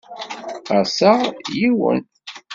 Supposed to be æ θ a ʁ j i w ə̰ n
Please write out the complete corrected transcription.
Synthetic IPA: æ s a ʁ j i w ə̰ n